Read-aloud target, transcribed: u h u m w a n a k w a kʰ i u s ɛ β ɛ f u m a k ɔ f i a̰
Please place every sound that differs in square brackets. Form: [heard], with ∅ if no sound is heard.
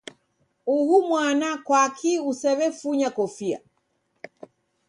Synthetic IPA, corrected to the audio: u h u m w a n a k w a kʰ i u s ɛ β ɛ f u [ɲ] a k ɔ f i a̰